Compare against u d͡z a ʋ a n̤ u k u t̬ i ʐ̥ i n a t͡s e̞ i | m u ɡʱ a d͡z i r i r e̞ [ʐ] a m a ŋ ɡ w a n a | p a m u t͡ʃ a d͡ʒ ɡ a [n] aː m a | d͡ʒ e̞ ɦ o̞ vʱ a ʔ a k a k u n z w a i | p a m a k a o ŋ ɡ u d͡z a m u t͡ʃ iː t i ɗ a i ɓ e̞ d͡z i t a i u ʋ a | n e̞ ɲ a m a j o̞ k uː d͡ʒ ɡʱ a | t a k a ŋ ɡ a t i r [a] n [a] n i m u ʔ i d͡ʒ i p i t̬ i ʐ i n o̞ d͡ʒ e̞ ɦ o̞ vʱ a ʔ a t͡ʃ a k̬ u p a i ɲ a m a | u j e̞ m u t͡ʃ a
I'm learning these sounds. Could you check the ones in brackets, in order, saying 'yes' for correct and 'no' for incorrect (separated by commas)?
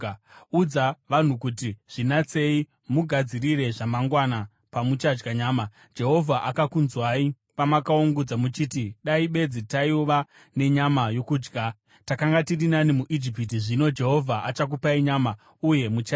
yes, no, no, yes